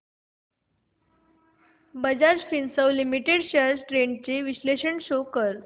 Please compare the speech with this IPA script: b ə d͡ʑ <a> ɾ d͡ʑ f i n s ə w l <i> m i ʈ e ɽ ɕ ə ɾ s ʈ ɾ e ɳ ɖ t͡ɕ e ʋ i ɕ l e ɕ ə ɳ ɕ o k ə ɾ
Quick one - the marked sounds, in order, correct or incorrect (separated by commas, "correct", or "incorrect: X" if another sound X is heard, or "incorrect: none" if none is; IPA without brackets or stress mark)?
correct, correct